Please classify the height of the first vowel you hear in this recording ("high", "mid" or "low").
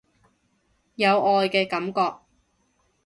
low